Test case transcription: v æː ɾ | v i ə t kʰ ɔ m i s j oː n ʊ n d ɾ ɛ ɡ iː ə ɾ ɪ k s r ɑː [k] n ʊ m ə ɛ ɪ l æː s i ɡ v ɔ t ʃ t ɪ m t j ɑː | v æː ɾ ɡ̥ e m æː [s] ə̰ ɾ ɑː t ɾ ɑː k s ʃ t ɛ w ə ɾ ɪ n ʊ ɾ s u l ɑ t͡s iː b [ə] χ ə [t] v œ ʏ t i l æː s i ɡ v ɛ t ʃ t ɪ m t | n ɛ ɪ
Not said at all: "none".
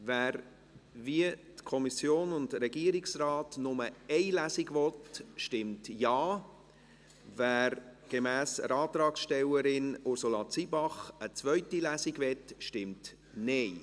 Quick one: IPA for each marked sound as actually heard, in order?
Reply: t, s, ɑ, t͡s

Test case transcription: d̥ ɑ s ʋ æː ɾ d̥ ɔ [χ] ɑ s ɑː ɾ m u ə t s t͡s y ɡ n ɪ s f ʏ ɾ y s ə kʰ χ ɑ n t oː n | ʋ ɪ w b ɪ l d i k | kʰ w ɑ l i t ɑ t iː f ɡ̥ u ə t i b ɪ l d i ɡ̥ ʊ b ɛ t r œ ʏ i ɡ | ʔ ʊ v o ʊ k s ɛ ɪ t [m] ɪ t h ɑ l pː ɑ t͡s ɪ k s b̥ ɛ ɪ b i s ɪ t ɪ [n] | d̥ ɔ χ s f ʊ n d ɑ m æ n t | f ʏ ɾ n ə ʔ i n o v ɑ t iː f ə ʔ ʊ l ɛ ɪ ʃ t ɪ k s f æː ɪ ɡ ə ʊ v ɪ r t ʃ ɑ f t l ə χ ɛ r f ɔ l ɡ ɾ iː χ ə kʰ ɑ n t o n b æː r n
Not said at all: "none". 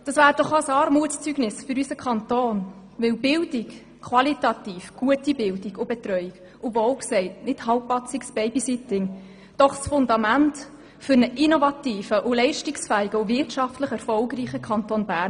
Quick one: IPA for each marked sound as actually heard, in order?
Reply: χ, n, ŋ

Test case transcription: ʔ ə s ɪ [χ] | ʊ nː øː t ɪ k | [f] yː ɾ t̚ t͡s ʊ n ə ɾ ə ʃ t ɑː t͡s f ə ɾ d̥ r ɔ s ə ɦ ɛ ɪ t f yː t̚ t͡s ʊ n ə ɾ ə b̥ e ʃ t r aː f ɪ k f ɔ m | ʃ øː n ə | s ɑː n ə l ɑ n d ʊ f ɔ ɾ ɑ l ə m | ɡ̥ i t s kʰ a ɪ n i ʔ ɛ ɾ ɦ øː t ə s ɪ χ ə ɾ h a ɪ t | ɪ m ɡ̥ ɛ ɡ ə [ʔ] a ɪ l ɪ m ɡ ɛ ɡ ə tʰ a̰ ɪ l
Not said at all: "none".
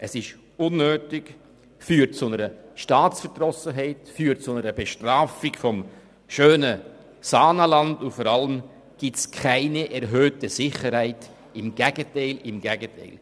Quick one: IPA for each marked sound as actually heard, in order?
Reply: ʃ, f, t

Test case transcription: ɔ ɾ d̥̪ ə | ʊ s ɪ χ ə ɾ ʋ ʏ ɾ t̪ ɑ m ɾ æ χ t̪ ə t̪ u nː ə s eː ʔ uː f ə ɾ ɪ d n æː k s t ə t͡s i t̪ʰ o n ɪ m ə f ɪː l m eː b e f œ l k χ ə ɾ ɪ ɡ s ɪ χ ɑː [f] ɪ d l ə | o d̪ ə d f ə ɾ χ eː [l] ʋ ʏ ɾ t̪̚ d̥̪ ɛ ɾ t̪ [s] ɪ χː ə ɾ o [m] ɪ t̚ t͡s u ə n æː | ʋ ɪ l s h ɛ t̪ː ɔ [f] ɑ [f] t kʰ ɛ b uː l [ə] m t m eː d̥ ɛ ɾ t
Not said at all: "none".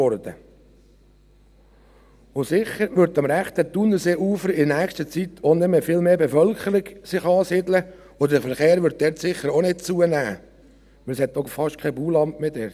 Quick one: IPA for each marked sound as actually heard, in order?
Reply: s, ɾ, s, n, f, ʃ, ɑ

